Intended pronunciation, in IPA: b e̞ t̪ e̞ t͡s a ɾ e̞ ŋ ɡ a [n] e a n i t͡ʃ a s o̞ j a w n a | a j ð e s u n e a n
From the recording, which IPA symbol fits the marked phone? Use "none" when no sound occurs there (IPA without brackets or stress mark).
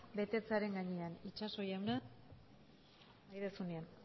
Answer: ɲ